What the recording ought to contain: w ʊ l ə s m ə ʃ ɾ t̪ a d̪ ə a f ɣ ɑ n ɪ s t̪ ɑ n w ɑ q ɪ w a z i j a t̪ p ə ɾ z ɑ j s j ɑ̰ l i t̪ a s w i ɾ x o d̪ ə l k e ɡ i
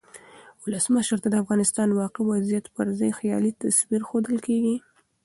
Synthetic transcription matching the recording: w ʊ l ə s m ə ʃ ɾ t̪ a d̪ ə a f ɣ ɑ n ɪ s t̪ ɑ n w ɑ q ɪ w a z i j a t̪ p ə ɾ z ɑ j x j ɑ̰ l i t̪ a s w i ɾ x o d̪ ə l k e ɡ i